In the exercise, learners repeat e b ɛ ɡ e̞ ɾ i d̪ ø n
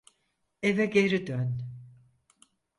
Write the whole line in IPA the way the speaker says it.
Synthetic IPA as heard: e v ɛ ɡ e̞ ɾ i d̪ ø n